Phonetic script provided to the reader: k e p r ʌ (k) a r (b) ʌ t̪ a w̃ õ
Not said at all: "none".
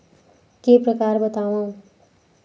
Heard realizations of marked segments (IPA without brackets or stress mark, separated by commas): k, b